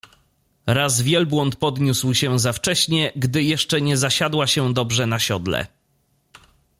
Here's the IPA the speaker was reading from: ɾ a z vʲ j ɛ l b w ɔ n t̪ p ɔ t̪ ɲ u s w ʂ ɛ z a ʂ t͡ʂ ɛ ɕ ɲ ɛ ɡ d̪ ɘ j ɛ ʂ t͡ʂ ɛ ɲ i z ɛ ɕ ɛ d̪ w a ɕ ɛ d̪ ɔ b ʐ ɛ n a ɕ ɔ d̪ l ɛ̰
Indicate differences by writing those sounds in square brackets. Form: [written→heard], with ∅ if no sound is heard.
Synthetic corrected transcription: ɾ a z vʲ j ɛ l b w ɔ n t̪ p ɔ [t̪→d̪] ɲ u s w [ʂ→ɕ] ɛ z a [ʂ→f] t͡ʂ ɛ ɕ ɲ ɛ ɡ d̪ ɘ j ɛ ʂ t͡ʂ ɛ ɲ [i→ɛ] z [ɛ→a] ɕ [ɛ→a] d̪ w a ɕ ɛ d̪ ɔ b ʐ ɛ n a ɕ ɔ d̪ l ɛ̰